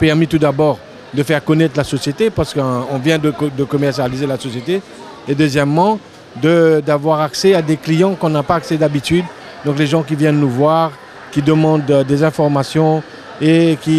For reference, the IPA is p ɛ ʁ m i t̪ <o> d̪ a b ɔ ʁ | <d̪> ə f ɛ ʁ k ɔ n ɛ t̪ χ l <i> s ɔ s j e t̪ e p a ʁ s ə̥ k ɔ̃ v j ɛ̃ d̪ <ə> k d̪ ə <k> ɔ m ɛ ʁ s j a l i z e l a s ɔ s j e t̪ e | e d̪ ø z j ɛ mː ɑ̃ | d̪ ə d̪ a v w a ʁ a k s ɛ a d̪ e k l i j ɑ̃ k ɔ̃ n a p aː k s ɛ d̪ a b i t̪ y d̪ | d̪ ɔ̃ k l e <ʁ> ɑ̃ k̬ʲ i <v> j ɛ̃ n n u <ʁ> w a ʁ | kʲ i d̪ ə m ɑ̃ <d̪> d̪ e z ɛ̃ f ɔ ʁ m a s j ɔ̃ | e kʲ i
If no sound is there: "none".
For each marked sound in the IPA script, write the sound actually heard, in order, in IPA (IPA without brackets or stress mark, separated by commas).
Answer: u, d̪, a, ə, k, ʒ, v, v, d̪